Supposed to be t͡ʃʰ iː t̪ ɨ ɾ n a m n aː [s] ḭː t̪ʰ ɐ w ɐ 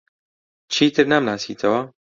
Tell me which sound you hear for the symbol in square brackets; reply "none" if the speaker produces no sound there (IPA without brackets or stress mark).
s